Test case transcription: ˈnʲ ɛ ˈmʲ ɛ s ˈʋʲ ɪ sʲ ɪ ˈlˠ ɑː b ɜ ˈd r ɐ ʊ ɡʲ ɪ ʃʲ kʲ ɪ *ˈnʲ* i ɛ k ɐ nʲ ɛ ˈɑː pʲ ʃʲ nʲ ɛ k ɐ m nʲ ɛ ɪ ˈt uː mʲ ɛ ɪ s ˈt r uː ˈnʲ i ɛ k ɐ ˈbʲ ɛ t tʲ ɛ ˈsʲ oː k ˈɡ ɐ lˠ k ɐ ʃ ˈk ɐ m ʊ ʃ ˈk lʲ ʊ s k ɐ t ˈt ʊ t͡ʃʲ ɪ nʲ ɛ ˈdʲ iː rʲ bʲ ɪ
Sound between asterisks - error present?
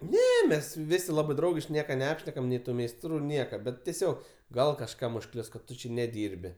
no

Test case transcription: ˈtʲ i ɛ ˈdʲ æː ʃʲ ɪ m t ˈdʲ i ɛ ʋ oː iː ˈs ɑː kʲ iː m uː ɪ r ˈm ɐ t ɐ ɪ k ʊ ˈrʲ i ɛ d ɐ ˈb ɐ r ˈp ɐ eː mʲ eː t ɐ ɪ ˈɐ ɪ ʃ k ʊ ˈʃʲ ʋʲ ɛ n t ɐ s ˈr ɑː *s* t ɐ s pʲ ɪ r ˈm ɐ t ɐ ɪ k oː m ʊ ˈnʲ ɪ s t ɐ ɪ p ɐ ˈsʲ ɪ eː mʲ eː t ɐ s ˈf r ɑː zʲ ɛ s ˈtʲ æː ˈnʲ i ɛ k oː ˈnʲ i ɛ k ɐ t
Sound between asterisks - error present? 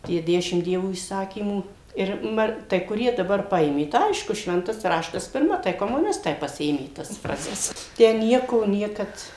yes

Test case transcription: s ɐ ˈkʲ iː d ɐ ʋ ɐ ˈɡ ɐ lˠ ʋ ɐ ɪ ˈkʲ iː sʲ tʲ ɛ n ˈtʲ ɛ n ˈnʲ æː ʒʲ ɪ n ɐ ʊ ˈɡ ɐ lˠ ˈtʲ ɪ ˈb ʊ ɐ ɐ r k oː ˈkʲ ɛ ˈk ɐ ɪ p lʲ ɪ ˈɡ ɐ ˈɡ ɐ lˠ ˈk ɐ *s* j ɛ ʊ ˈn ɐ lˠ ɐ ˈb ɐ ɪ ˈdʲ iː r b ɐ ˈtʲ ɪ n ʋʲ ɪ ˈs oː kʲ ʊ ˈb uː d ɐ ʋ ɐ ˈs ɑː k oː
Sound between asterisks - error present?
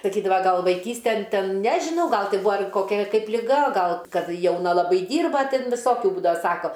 yes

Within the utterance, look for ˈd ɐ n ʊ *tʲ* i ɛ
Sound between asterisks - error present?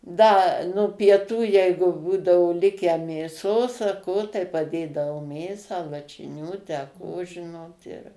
yes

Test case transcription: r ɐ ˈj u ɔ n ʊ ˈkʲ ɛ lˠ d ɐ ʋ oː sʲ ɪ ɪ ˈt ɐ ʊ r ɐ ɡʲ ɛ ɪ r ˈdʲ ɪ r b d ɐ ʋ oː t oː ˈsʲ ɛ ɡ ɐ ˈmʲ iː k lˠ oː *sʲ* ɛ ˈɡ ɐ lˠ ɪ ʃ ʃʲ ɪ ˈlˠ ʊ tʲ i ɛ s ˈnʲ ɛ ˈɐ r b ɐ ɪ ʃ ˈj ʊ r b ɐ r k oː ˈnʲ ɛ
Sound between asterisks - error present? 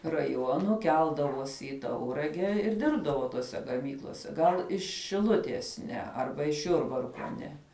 no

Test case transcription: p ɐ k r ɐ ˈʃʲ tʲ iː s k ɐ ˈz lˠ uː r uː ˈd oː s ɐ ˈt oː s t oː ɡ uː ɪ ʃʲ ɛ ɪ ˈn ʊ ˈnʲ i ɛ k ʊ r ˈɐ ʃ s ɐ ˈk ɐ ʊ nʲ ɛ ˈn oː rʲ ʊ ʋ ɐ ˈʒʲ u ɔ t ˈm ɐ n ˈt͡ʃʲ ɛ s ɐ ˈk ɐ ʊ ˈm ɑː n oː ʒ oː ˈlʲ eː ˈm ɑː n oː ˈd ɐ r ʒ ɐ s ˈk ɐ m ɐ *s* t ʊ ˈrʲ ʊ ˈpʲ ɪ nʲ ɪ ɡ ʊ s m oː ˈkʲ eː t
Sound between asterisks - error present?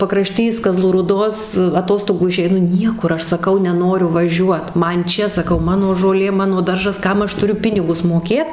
yes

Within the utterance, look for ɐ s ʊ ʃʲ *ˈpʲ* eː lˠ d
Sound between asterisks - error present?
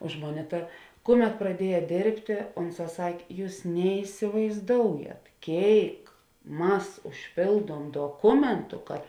no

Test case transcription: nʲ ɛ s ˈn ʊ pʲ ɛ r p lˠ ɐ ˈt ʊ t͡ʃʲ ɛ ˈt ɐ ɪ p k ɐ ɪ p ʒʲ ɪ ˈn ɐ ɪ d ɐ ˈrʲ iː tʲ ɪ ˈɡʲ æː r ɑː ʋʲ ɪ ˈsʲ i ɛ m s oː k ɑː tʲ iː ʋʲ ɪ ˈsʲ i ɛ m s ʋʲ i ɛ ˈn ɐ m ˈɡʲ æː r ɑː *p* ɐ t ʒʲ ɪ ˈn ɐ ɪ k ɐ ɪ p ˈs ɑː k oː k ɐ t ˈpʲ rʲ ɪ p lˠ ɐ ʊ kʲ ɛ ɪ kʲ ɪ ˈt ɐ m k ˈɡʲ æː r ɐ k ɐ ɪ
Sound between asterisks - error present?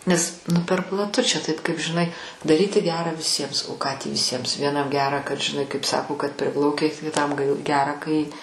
yes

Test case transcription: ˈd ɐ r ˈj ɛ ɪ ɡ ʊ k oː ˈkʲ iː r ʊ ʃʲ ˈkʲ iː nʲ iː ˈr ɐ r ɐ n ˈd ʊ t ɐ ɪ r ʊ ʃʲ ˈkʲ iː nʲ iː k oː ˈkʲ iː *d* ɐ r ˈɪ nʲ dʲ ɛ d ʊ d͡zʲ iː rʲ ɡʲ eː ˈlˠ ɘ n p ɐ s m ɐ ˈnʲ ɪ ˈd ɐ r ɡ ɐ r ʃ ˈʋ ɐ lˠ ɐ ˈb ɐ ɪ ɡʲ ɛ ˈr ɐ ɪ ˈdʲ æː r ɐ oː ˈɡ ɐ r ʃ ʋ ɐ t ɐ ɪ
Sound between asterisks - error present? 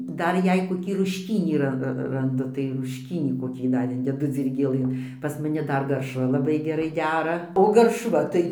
no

